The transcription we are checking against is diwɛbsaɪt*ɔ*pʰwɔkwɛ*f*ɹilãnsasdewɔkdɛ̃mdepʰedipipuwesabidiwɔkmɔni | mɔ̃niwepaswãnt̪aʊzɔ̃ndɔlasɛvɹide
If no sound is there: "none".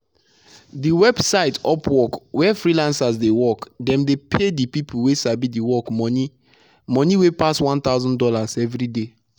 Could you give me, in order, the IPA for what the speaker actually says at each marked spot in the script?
ɔ, f

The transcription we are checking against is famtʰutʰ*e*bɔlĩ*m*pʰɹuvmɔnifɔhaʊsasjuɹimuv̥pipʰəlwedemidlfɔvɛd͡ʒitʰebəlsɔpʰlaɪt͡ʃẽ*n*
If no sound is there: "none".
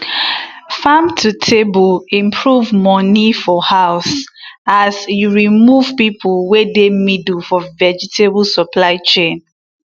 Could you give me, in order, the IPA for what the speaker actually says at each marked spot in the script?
e, m, n

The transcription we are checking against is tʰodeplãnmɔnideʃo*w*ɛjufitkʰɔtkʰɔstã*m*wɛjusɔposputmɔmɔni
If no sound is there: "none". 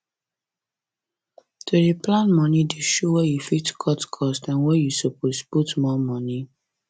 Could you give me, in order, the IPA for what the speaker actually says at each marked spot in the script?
w, n

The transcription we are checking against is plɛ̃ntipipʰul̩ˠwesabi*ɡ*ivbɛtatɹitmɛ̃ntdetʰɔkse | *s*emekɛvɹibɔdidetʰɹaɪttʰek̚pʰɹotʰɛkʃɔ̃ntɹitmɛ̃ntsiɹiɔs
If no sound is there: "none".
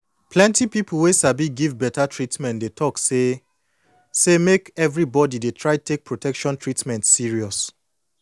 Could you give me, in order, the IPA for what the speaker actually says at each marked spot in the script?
ɡ, s

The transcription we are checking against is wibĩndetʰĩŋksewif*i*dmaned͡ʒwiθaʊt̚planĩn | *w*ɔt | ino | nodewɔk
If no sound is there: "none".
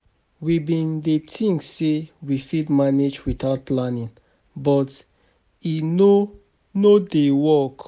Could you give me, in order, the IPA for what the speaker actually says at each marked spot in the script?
i, b

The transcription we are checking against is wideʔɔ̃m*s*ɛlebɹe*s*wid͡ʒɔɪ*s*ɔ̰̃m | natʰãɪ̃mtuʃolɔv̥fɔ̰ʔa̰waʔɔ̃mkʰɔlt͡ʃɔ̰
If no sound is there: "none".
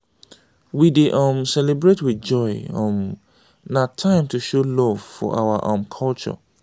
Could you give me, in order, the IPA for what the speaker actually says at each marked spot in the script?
s, t, none

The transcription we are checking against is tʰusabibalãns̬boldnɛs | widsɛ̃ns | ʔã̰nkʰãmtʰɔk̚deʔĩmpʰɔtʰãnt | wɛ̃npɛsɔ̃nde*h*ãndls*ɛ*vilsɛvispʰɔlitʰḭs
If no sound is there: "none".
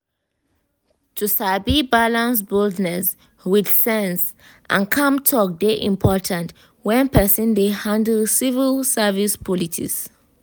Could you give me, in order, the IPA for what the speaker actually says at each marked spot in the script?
h, i

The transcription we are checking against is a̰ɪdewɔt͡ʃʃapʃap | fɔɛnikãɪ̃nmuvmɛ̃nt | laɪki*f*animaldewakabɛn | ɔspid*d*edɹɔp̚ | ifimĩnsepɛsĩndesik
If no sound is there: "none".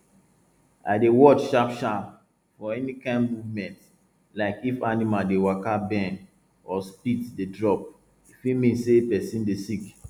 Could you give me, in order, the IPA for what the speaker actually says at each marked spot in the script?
f, d

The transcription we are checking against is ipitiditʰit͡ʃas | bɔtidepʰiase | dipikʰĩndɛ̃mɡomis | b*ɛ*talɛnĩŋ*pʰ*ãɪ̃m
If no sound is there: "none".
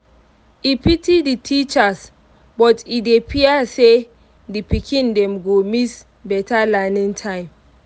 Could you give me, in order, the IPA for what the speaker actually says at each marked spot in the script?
ɛ, tʰ

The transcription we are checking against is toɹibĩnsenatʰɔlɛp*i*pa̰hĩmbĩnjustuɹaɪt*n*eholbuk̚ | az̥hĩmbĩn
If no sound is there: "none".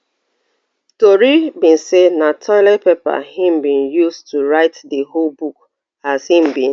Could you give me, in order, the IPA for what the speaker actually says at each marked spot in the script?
e, d

